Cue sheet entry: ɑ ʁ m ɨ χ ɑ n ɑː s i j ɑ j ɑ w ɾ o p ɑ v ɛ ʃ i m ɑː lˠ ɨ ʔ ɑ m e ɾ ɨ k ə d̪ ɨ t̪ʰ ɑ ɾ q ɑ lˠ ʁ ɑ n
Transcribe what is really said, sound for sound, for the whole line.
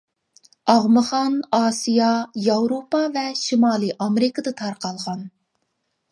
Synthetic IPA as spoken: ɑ ʁ m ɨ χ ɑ n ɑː s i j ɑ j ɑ w ɾ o p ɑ v ɛ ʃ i m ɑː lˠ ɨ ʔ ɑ m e ɾ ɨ k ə d̪ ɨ t̪ʰ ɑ ɾ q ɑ lˠ ʁ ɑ n